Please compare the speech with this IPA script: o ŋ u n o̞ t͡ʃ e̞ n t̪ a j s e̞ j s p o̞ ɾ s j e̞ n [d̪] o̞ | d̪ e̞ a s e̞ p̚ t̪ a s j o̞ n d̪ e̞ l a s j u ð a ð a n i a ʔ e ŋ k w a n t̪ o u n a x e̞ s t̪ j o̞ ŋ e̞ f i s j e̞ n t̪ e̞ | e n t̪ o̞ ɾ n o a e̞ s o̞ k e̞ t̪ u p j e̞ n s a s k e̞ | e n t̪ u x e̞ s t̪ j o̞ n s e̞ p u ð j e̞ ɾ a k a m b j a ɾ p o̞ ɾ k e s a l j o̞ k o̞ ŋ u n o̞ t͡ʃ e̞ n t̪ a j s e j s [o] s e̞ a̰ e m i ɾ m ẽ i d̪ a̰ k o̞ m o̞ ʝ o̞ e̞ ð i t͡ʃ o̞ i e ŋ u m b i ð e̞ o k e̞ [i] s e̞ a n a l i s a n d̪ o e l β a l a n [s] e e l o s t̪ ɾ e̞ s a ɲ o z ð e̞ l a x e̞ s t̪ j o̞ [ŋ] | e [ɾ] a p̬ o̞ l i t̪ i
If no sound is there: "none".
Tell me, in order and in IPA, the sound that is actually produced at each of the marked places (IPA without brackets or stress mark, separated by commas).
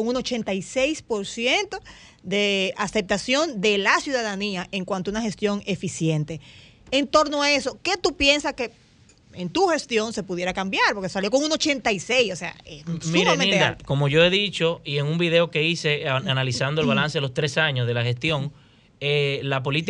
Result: t̪, o, i, s, ŋ, l